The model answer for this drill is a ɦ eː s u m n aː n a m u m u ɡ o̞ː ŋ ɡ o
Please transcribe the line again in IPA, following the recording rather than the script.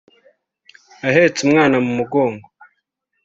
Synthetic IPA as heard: a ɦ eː t͡s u m ŋ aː n a m u m u ɡ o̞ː ŋ ɡ o